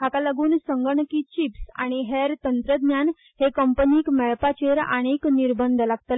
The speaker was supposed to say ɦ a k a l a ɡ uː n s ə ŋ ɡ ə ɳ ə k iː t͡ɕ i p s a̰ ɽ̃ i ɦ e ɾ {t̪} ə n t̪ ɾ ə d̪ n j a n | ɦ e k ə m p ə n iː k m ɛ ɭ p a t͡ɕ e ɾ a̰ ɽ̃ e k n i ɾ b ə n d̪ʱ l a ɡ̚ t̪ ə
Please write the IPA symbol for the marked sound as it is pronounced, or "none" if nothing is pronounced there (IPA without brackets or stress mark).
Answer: t̪